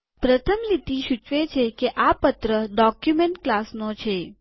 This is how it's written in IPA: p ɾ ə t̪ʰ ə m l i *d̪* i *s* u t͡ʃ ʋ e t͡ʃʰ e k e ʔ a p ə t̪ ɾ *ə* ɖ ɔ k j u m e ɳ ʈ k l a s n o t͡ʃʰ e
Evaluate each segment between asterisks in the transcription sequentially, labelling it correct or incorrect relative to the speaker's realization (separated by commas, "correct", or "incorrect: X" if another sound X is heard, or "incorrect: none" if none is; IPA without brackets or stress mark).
incorrect: t̪, incorrect: ʃ, correct